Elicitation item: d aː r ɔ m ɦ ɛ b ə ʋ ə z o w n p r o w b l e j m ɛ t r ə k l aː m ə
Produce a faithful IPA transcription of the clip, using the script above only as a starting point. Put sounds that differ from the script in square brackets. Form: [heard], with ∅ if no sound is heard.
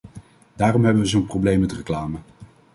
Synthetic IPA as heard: d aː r ɔ m ɦ ɛ b ə ʋ ə z o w n p r o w b l e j m ɛ t r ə k l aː m ə